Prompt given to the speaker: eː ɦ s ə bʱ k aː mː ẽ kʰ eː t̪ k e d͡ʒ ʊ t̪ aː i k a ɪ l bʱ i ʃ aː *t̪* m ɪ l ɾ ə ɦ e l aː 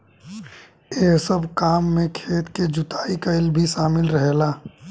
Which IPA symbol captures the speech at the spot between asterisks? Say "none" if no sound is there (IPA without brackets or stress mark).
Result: none